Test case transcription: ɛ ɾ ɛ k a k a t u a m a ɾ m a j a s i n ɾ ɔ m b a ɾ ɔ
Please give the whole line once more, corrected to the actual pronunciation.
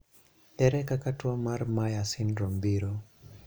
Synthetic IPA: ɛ ɾ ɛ k a k a t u a m a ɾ m a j a s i n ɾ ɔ m b i ɾ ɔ